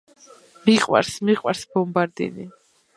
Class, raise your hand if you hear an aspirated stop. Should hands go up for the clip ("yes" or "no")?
no